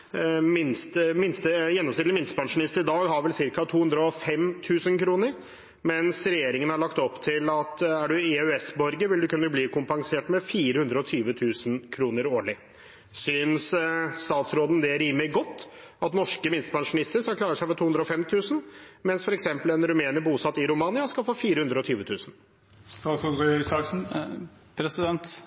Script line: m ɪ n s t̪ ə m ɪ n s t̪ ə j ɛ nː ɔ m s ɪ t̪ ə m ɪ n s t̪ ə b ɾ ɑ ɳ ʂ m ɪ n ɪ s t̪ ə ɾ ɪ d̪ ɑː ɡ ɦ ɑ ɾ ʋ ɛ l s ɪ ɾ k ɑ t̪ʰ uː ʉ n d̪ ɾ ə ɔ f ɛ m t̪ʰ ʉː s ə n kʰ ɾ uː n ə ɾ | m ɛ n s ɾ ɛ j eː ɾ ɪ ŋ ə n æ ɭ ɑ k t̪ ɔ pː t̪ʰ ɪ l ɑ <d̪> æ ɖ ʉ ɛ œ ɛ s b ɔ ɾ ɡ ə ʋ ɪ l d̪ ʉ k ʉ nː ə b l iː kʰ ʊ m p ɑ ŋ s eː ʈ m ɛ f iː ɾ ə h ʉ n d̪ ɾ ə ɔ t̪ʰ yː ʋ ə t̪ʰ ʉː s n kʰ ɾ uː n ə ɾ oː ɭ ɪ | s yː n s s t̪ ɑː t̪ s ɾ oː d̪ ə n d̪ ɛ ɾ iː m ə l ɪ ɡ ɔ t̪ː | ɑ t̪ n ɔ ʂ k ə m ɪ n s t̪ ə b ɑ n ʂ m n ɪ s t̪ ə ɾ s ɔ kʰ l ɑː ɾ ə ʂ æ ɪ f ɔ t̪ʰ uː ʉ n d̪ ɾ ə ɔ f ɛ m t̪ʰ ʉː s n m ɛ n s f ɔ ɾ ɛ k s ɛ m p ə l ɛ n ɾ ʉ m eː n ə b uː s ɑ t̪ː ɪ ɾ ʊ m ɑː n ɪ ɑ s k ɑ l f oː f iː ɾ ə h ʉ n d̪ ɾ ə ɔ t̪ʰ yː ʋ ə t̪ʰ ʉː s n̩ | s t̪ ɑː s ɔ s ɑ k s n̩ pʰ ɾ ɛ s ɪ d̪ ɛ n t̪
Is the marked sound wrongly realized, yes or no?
yes